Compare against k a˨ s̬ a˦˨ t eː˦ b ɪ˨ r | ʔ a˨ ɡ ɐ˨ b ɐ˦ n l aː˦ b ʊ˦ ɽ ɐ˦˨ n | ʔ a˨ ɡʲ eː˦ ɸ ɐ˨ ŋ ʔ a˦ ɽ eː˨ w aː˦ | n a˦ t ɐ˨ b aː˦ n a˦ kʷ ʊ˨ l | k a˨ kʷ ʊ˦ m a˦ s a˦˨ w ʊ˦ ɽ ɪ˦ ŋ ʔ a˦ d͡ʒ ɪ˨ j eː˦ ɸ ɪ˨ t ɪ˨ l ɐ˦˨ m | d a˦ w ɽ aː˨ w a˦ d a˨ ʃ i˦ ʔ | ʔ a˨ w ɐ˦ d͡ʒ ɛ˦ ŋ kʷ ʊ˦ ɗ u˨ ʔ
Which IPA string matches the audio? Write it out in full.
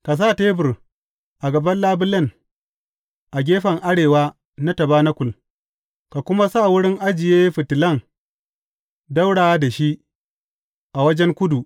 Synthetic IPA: k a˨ s̬ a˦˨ t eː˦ b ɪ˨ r | ʔ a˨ ɡ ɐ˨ b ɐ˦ n l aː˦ b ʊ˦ l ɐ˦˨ n | ʔ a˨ ɡʲ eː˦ ɸ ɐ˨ ŋ ʔ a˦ ɽ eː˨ w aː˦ | n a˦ t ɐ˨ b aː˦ n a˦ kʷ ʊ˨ l | k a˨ kʷ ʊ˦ m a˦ s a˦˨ w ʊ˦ ɽ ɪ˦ ŋ ʔ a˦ d͡ʒ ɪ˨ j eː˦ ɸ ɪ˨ t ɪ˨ l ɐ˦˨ ŋ | d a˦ w ɽ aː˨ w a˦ d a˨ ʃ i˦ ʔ | ʔ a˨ w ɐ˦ d͡ʒ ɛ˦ ŋ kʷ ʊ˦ d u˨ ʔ